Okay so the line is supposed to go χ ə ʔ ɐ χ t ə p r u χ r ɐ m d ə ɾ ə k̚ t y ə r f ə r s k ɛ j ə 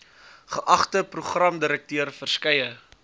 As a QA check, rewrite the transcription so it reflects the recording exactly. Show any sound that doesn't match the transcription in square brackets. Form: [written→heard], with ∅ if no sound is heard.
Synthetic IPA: χ ə ʔ ɐ χ t ə p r u χ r ɐ m d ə ɾ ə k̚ t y ə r f ə r s k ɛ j ə